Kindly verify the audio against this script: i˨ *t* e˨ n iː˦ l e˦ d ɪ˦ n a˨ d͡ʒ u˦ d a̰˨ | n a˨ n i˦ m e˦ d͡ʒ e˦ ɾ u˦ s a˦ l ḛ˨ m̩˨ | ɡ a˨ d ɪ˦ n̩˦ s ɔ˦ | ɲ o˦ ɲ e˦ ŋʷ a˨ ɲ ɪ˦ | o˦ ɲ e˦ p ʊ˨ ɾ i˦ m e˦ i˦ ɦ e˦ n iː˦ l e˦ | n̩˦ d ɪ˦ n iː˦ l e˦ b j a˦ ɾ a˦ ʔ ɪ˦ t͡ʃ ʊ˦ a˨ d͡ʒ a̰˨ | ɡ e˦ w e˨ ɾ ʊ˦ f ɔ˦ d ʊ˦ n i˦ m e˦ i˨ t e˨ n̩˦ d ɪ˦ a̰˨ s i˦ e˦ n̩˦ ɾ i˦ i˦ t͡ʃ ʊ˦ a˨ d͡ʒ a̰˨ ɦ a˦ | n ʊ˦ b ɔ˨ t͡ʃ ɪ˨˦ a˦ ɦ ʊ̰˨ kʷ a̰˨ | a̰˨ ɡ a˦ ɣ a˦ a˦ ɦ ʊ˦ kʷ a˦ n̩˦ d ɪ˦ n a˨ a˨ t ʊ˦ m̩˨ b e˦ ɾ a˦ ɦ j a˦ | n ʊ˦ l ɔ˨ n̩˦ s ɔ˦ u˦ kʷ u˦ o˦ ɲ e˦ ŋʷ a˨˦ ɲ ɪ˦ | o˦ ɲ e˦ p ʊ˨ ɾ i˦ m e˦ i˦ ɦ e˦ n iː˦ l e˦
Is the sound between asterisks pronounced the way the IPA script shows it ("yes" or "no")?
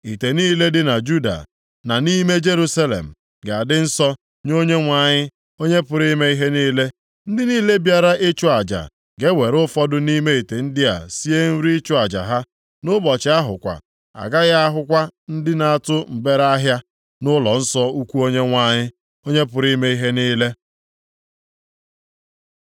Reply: yes